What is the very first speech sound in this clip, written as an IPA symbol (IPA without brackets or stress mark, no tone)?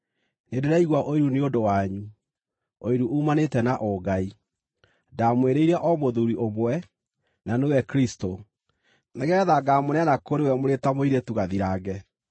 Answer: n